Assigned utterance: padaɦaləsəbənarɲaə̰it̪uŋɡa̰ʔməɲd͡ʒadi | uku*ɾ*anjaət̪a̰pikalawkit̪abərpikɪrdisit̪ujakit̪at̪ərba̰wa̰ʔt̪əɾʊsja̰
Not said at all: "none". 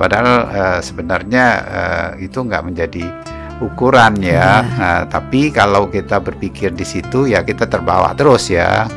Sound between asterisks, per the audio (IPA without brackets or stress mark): ɾ